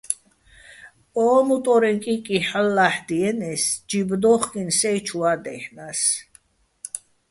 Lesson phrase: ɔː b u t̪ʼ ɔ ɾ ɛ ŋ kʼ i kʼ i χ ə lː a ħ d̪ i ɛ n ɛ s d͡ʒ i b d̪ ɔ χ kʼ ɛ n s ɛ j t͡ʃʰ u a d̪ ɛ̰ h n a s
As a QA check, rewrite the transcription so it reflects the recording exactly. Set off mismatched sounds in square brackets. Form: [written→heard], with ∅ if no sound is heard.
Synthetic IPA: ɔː [b→m] u t̪ʼ ɔ ɾ ɛ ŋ kʼ i kʼ i [χ→ħ] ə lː a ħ d̪ i ɛ n ɛ s d͡ʒ i b d̪ ɔ χ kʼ [ɛ→i] n s ɛ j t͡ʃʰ u a d̪ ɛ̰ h n a s